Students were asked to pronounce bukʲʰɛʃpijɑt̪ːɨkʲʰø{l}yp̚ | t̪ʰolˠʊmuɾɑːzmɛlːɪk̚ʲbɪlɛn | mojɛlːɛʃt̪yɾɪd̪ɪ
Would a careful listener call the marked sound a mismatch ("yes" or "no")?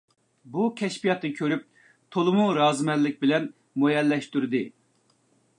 yes